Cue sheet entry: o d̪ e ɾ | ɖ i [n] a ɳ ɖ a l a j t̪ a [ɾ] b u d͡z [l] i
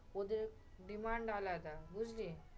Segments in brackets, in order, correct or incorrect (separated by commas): incorrect, incorrect, correct